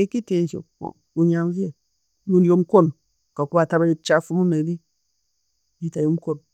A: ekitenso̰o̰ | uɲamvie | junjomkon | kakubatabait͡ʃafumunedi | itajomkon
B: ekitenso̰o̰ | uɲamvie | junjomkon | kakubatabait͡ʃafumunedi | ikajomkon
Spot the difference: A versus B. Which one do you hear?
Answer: A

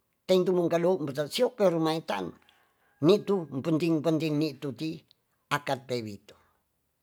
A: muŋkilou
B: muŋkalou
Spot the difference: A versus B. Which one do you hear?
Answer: B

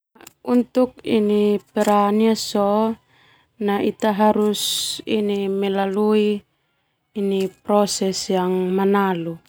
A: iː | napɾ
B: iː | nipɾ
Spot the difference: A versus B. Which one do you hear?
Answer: B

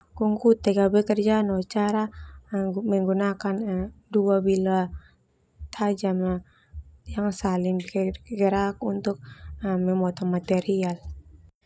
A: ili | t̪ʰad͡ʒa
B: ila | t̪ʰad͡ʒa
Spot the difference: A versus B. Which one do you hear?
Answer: B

